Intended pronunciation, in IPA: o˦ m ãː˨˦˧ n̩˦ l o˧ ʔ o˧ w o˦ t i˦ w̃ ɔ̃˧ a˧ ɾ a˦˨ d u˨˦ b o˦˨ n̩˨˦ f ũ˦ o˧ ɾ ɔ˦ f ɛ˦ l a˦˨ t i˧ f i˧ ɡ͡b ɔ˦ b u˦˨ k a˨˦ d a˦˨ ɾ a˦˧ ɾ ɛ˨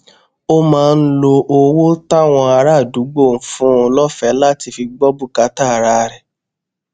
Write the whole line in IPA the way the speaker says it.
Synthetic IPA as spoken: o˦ m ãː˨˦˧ n̩˦ l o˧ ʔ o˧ w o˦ t a˦ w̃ ɔ̃˧ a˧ ɾ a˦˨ d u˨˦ ɡ͡b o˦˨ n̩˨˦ f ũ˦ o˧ l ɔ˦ f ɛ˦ l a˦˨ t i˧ f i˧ ɡ͡b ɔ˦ b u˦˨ k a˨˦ t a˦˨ ɾ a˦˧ ɾ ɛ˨